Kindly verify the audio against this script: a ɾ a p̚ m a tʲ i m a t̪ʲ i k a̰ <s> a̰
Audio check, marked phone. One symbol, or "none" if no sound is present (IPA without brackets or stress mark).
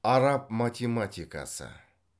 s